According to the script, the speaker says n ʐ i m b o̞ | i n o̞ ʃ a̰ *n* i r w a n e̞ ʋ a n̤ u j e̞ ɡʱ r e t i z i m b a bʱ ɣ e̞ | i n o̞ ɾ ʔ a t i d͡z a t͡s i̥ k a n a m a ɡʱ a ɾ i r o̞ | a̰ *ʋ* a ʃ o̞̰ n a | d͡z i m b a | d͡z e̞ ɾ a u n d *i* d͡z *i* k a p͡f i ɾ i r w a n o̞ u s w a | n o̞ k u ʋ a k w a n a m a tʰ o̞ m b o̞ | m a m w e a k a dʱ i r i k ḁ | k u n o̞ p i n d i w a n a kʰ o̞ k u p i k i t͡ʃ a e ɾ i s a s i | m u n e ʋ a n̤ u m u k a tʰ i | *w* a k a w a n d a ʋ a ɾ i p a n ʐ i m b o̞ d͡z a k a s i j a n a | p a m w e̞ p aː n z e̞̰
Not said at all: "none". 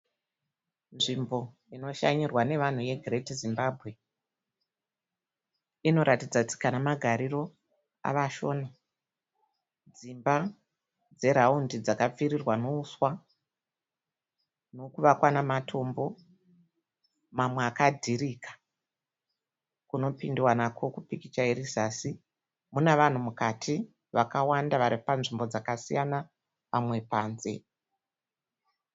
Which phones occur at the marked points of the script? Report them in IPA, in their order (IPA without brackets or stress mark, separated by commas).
ɲ, ʋ, i, a, ʋ